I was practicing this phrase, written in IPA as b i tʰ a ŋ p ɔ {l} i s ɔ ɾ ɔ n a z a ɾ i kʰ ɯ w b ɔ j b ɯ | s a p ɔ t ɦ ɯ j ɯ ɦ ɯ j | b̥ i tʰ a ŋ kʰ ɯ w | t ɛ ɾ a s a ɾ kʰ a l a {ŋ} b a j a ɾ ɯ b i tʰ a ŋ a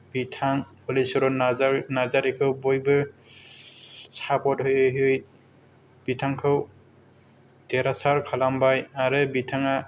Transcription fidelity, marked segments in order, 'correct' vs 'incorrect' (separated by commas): correct, incorrect